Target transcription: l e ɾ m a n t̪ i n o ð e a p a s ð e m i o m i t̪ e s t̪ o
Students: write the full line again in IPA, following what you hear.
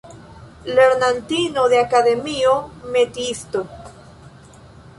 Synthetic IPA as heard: l e ɾ n a n t̪ i n o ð e a k a ð e m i o m e t̪ i s t̪ o

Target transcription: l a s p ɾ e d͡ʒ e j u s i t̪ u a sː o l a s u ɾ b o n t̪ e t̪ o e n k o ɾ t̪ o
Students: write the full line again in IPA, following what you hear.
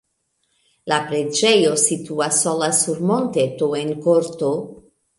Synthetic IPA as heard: l a p ɾ e d͡ʒ e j o s i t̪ u a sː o l a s u ɾ m o n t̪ e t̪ o e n k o ɾ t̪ o

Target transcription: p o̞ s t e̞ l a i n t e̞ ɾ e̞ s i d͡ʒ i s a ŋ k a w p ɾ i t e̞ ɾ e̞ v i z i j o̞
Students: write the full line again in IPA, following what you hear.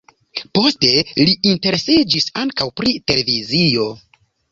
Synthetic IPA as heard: p o̞ s t e̞ l i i n t e̞ ɾ e̞ s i d͡ʒ i s a ŋ k a w p ɾ i t e̞ l e̞ v i z i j o̞

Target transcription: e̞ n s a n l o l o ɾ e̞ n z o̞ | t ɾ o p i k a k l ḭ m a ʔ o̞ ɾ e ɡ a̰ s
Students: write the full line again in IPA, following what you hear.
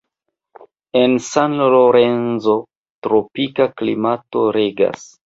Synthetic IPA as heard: e̞ n s a n l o l o ɾ e̞ n z o̞ | t ɾ o p i k a k l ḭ m a t o̞ ɾ e ɡ a̰ s

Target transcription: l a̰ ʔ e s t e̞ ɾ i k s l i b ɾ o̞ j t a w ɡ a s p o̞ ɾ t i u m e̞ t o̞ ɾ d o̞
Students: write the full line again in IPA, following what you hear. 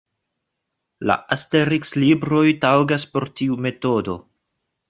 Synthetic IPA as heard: l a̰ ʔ a s t e̞ ɾ i k s l i b ɾ o̞ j t a w ɡ a s p o̞ ɾ t i u m e̞ t o̞ d o̞

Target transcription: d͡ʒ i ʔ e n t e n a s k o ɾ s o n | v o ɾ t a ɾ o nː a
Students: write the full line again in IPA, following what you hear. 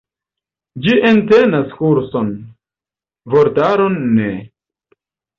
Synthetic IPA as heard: d͡ʒ i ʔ e n t e n a s k u ɾ s o n | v o ɾ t a ɾ o nː e

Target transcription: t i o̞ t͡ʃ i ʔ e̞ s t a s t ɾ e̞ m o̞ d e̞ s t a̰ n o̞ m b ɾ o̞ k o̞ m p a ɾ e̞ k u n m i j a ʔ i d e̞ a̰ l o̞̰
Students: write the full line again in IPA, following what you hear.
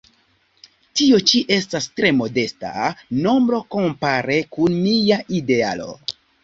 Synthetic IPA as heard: t i o̞ t͡ʃ i ʔ e̞ s t a s t ɾ e̞ m o̞ d e̞ s t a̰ n o̞ m b ɾ o̞ k o̞ m p a ɾ e̞ k u n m i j a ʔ i d e̞ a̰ l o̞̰

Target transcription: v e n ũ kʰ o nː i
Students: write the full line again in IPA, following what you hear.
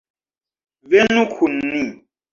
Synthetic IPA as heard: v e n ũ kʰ u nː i

